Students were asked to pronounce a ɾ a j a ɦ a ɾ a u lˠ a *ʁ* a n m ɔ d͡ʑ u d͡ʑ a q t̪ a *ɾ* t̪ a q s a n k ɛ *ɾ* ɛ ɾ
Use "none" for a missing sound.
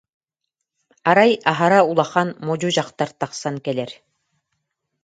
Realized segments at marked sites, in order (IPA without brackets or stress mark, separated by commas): χ, ɾ, l